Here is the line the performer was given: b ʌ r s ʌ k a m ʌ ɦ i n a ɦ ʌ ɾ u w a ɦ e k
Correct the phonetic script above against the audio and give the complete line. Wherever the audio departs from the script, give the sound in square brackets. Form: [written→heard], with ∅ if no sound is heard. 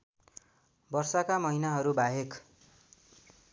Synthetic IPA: b ʌ r s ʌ k a m ʌ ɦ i n a ɦ ʌ ɾ u [w→b] a ɦ e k